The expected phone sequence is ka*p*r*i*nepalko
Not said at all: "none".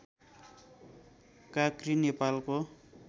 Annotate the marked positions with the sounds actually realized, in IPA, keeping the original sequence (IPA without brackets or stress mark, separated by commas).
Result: k, i